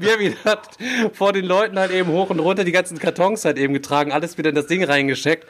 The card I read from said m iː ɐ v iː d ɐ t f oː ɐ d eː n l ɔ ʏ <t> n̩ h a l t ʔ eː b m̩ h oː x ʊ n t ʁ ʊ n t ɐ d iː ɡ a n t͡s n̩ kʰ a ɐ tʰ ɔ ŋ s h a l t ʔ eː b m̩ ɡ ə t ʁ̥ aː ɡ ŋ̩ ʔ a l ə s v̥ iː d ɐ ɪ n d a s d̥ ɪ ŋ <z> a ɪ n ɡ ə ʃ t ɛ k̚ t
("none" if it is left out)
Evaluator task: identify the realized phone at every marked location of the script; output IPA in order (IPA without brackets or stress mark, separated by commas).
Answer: t, ʁ